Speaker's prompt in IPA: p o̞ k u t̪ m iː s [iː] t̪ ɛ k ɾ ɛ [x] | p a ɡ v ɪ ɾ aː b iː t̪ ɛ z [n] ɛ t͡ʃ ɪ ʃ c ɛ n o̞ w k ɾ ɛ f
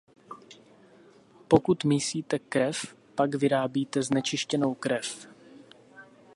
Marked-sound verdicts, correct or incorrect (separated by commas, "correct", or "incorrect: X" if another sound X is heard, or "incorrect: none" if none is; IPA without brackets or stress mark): correct, incorrect: f, correct